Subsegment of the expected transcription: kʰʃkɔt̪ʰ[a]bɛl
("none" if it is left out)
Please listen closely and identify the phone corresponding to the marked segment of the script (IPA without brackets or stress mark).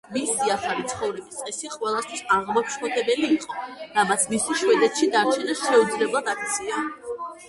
ɛ